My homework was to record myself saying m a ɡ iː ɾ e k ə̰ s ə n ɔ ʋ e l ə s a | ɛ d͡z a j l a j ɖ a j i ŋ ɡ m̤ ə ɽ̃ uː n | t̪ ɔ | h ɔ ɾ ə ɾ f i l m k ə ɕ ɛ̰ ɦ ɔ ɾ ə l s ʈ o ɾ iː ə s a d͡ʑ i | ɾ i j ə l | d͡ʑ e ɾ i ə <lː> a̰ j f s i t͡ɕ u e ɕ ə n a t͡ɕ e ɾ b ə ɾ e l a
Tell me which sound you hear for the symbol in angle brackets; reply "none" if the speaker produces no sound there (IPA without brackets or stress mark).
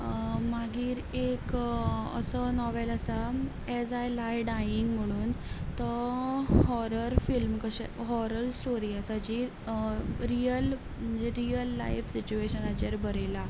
lː